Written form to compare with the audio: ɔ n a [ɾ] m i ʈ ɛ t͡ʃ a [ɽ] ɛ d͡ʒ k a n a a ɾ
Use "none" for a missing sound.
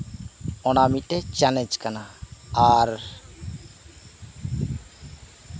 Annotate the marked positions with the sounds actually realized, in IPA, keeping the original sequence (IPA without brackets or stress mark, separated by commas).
none, l